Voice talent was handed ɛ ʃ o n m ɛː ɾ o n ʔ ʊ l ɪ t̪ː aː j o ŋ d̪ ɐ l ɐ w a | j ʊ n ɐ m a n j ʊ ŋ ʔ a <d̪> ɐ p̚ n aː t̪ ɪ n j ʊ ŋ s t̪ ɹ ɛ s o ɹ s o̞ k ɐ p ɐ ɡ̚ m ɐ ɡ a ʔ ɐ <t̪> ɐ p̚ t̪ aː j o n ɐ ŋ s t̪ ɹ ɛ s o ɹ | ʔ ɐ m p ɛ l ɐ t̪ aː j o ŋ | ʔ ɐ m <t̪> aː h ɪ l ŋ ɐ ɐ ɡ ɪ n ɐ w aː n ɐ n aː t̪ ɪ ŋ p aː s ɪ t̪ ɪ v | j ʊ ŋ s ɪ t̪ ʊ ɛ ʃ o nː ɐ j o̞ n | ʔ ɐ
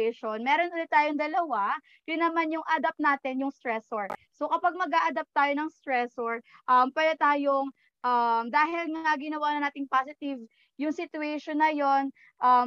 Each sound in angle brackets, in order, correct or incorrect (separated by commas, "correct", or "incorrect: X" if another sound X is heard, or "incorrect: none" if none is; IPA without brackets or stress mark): correct, incorrect: d̪, incorrect: d̪